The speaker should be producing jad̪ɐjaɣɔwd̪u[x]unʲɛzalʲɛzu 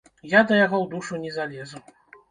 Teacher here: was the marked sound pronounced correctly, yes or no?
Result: no